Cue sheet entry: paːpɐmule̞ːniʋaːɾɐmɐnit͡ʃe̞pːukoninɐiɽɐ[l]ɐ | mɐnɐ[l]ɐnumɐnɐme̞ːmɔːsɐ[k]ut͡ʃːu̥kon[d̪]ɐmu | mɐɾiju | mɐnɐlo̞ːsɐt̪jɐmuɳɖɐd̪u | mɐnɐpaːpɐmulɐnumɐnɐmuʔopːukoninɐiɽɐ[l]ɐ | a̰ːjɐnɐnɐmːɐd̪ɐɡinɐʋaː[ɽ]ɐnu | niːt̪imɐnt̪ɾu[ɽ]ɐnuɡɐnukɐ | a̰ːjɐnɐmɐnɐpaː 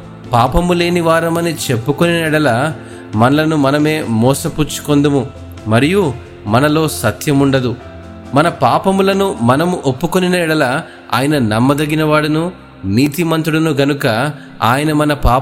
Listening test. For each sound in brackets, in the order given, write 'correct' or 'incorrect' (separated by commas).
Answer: correct, correct, incorrect, correct, correct, correct, correct